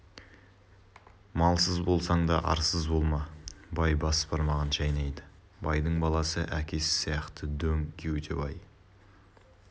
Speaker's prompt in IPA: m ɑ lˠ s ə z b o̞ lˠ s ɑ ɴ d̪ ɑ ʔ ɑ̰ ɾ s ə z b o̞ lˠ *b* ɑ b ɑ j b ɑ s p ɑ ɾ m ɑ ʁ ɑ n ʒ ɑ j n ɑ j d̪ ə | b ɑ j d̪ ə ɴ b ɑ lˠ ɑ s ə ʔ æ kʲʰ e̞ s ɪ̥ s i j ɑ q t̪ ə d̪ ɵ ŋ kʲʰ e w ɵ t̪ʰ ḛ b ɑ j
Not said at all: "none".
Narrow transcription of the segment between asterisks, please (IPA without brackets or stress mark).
m